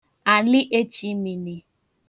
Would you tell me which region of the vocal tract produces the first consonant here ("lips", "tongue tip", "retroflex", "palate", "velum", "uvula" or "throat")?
tongue tip